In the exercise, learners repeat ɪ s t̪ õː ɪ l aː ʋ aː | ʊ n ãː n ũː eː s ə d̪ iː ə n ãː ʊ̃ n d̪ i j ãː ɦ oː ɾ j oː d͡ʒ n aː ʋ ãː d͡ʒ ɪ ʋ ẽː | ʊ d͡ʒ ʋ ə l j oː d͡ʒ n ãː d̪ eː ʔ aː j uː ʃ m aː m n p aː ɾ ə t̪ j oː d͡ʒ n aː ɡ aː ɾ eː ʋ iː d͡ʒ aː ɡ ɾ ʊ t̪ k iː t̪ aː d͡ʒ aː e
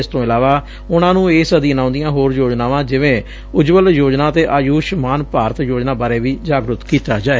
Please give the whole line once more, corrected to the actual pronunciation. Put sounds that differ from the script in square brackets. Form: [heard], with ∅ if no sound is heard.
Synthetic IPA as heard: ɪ s t̪ õː ɪ l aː ʋ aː | ʊ n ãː n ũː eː s ə d̪ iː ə n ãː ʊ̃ n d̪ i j ãː ɦ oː ɾ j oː d͡ʒ n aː ʋ ãː d͡ʒ ɪ ʋ ẽː | ʊ d͡ʒ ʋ ə l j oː d͡ʒ n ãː [t̪] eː ʔ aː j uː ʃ m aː [∅] n p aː ɾ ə t̪ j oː d͡ʒ n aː [b] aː ɾ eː ʋ iː d͡ʒ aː ɡ ɾ ʊ t̪ k iː t̪ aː d͡ʒ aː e